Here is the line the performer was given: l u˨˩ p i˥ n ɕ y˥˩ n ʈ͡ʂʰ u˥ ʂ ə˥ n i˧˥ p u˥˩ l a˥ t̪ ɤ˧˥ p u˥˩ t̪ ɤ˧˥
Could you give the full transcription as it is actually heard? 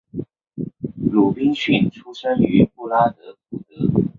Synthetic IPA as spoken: l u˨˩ p i˥ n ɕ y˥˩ n ʈ͡ʂʰ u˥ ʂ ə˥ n y˧˥ p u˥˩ l a˥ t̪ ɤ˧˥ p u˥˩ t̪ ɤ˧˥

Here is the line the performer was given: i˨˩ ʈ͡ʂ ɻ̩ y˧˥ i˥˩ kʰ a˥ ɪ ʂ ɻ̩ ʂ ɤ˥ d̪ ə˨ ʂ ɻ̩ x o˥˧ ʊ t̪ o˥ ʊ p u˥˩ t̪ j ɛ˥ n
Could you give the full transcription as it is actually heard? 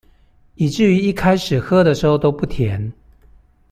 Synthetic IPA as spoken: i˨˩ ʈ͡ʂ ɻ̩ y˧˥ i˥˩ kʰ a˥ ɪ ʂ ɻ̩ x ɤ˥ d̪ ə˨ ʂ ɻ̩ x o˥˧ ʊ t̪ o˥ ʊ p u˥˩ t̪ʰ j ɛ˧˦ n

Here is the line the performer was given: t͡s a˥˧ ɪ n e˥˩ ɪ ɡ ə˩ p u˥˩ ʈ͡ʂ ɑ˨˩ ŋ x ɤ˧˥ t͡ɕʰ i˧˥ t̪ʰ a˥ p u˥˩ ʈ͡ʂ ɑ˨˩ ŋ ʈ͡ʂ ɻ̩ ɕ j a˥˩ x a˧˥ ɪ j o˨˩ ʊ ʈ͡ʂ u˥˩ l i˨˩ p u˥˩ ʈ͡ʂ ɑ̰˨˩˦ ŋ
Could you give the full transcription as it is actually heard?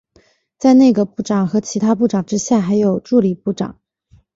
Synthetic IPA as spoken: t͡s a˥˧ ɪ n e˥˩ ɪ ɡ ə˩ p u˥˩ ʈ͡ʂ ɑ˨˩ ŋ x ɤ˧˥ t͡ɕʰ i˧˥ t̪ʰ a˥ p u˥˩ ʈ͡ʂ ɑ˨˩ ŋ ʈ͡ʂ ɻ̩ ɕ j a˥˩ x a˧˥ ɪ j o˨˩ ʊ ʈ͡ʂ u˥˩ l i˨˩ p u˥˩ ʈ͡ʂ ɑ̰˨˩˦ ŋ

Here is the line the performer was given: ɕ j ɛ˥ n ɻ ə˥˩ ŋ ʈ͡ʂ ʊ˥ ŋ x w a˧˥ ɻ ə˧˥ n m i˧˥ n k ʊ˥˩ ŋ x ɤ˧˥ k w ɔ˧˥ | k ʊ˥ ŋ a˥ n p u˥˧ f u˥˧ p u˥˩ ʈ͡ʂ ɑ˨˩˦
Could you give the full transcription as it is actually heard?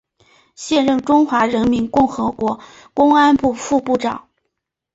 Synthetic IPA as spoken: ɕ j ɛ˥˧ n ɻ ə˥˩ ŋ ʈ͡ʂ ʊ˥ ŋ x w a˧˥ ɻ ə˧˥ n m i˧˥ n k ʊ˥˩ ŋ x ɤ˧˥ k w ɔ˧˥ | k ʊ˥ ŋ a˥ n p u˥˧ f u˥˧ p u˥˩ ʈ͡ʂ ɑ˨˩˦

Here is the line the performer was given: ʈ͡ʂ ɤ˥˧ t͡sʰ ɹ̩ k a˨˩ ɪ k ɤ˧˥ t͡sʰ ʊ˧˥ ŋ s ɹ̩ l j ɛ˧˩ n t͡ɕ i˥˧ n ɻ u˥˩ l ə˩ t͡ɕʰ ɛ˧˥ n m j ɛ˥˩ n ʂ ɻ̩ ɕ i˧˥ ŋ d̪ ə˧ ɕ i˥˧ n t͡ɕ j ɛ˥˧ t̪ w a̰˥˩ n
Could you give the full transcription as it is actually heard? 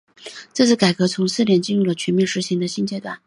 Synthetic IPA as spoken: ʈ͡ʂ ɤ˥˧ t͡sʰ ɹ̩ k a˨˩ ɪ k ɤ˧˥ t͡sʰ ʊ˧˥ ŋ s ɹ̩ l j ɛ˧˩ n t͡ɕ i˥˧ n ɻ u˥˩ l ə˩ t͡ɕʰ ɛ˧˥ n m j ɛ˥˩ n ʂ ɻ̩ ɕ i˧˥ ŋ d̪ ə˧ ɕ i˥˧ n t͡ɕ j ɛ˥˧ t̪ w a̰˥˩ n

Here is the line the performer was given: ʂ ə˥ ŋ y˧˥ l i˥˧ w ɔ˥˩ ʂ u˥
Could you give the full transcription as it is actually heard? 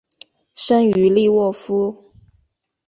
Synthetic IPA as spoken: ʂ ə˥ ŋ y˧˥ l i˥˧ w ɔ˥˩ f u˥

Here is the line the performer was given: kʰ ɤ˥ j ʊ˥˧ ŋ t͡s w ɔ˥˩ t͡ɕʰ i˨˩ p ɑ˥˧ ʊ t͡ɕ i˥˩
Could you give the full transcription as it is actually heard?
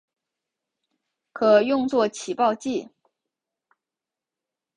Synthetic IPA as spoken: kʰ ɤ˨˩ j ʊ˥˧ ŋ t͡s w ɔ˥˩ t͡ɕʰ i˨˩ p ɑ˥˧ ʊ t͡ɕ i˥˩

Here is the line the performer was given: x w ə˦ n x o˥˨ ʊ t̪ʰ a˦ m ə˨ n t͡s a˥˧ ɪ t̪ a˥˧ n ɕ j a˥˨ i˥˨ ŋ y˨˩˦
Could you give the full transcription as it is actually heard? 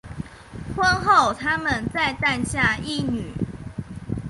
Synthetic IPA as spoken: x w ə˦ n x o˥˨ ʊ t̪ʰ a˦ m ə˨ n t͡s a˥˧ ɪ t̪ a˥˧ n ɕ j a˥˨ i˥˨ n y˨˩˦

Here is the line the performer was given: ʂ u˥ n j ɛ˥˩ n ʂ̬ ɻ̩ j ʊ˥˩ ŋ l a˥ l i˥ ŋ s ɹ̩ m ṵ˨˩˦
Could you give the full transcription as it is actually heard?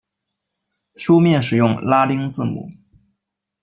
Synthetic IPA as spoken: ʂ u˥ m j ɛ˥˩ n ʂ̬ ɻ̩ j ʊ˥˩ ŋ l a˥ l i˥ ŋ t͡s ɹ̩ m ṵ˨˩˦

